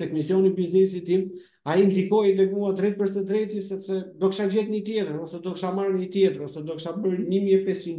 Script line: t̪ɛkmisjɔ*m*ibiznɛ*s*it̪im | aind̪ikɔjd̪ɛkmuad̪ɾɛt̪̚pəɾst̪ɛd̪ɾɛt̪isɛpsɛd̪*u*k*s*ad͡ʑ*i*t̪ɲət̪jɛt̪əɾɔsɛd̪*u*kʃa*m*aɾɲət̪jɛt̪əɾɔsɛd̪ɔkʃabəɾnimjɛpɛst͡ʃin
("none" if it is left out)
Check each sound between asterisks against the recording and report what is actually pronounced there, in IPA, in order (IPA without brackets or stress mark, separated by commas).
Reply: n, s, ɔ, ʃ, ɛ, ɔ, m